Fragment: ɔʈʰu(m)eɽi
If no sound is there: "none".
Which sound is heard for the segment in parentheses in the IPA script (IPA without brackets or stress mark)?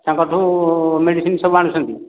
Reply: m